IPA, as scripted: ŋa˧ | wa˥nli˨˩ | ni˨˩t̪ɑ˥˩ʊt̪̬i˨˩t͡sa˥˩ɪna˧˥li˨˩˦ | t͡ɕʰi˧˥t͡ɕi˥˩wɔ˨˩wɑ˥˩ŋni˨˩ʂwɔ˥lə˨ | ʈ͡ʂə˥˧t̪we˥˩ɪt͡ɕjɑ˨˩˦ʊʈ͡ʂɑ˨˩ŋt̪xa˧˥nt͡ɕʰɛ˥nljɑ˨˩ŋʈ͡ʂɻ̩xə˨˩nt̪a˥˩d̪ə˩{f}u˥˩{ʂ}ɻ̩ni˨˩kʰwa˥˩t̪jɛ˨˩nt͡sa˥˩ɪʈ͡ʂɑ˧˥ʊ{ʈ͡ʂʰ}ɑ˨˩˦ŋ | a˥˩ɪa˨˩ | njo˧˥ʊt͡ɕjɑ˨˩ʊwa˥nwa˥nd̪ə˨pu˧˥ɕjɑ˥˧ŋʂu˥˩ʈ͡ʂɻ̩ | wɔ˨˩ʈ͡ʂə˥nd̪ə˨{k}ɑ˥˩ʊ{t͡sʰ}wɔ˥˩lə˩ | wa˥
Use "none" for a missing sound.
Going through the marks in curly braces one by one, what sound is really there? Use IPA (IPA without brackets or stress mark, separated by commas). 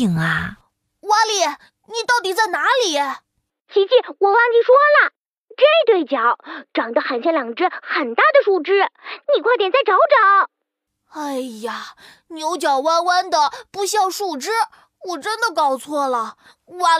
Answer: ʂ, ʈ͡ʂ, ʈ͡ʂ, k, t͡sʰ